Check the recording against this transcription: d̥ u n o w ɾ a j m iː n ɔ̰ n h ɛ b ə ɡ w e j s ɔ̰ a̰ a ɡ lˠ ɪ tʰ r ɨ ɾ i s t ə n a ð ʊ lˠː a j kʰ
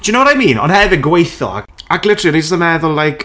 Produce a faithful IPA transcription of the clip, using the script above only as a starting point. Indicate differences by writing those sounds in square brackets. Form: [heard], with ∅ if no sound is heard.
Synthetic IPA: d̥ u n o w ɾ a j m iː n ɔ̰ n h ɛ [v] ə ɡ w e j [θ] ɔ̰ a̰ a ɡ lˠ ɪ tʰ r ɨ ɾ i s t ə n [ɛ] ð ʊ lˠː a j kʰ